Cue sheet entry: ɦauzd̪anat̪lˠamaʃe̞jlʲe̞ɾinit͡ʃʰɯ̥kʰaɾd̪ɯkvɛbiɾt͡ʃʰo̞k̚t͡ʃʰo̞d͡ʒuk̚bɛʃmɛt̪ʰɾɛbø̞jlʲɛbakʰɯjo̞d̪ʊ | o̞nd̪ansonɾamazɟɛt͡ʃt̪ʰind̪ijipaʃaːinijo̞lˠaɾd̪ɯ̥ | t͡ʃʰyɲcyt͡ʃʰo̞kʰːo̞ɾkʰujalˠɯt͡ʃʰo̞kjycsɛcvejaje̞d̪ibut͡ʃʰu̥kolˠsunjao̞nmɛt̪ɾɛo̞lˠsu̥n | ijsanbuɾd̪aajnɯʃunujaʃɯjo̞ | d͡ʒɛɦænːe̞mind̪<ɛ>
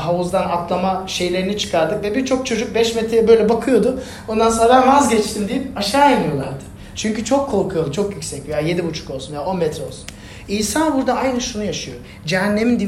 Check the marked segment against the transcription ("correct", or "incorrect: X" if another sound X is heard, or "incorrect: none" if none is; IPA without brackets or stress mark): incorrect: i